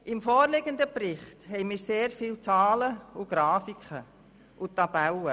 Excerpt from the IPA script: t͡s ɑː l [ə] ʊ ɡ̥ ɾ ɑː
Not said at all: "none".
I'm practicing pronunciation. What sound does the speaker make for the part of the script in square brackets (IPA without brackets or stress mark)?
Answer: ə